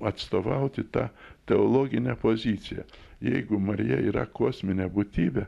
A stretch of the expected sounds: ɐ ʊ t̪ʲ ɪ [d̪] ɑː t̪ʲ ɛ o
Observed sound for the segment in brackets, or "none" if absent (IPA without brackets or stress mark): t̪